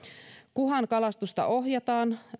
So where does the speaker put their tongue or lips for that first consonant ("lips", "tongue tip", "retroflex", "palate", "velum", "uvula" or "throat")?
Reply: velum